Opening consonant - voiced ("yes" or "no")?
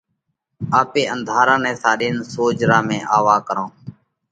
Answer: no